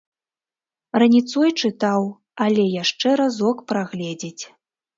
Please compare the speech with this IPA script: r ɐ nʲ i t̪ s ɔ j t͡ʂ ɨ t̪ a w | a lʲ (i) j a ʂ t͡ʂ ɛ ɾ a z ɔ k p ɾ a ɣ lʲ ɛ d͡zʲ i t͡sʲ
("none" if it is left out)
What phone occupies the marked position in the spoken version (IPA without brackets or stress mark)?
ɛ